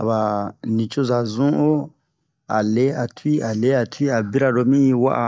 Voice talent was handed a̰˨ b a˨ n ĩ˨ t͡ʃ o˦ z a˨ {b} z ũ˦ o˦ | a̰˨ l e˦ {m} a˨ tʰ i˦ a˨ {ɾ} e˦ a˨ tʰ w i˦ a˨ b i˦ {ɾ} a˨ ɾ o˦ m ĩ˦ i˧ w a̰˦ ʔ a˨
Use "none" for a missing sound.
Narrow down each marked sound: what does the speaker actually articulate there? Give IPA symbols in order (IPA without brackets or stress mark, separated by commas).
none, none, l, ɾ